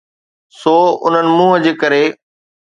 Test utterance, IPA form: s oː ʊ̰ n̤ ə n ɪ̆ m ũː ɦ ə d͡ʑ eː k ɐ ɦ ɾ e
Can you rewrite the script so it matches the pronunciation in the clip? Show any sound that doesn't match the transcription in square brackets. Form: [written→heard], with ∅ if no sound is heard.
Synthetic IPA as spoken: s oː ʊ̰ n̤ ə n ɪ̆ m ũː ɦ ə d͡ʑ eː k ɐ [ɦ→∅] ɾ e